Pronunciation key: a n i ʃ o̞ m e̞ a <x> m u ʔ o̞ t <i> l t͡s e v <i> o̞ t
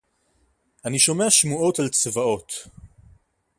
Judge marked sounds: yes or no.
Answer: no, no, no

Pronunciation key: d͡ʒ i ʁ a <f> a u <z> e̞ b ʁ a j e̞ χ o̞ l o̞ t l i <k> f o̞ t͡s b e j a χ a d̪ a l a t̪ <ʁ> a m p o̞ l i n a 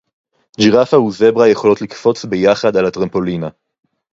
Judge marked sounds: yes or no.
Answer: yes, yes, yes, yes

